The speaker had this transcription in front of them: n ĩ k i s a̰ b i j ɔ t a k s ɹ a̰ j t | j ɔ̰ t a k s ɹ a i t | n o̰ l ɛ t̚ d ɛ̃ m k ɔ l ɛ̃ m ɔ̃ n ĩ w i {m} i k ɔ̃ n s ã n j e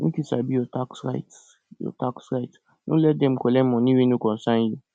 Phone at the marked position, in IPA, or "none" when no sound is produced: n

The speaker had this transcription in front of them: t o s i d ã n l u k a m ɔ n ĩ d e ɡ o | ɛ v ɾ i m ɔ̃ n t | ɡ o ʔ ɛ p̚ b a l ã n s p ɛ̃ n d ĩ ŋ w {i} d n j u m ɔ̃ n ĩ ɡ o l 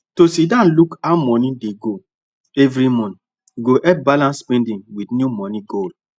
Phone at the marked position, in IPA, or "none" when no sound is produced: i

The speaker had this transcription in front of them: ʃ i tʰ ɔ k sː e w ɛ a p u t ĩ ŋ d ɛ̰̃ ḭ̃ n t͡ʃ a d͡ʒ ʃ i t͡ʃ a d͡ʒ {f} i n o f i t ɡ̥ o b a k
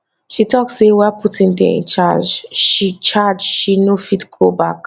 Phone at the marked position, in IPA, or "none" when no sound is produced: ʃ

